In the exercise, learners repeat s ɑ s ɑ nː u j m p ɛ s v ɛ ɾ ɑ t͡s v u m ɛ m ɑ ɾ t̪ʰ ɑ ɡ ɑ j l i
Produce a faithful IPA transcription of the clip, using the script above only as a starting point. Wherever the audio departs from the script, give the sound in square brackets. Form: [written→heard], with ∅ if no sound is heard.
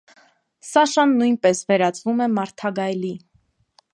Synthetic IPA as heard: s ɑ [s→ʃ] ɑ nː u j [m→n] p ɛ s v ɛ ɾ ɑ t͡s v u m ɛ m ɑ ɾ t̪ʰ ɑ ɡ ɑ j l i